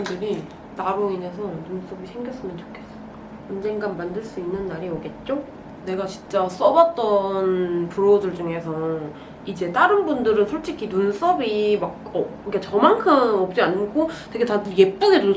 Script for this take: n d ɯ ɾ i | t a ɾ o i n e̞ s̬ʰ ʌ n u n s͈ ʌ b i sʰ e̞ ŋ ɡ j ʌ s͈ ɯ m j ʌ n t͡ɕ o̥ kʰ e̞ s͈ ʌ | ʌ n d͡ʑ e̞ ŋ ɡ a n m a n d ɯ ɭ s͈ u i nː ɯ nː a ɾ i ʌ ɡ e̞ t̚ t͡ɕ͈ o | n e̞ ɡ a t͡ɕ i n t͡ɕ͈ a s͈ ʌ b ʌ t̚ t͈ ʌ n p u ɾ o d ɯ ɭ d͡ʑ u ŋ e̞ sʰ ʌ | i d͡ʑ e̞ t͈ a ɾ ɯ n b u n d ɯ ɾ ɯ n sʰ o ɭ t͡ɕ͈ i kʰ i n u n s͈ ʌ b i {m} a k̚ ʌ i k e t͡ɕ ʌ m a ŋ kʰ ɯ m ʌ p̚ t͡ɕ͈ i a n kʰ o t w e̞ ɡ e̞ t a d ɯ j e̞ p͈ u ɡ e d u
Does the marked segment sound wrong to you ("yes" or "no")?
no